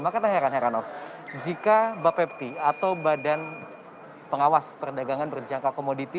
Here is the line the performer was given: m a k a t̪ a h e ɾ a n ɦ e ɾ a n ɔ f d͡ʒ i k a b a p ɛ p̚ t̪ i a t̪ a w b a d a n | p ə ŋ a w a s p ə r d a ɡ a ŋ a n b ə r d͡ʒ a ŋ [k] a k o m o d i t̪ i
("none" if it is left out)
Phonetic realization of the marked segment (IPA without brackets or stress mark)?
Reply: k